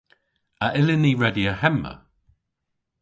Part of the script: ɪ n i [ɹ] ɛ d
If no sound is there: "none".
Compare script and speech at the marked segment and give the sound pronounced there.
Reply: ɹ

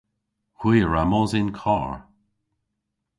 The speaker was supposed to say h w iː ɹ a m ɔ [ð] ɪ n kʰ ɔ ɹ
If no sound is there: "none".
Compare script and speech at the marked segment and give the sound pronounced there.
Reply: z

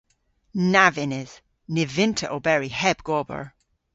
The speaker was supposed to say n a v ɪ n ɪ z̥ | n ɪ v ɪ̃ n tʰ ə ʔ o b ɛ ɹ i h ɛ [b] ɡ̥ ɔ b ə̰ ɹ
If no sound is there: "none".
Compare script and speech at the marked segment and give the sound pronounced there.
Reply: b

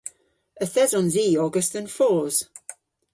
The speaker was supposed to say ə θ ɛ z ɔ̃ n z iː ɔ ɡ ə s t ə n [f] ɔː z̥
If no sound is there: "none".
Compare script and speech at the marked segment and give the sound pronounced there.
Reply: f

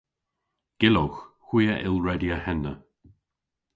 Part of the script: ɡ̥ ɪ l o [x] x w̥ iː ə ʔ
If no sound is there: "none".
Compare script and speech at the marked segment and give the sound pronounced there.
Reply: x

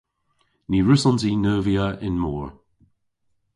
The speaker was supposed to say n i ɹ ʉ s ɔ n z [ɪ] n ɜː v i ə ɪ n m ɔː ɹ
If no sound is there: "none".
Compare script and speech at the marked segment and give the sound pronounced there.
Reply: i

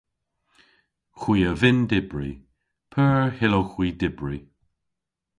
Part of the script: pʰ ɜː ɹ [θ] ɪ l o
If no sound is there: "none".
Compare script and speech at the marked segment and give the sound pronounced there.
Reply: h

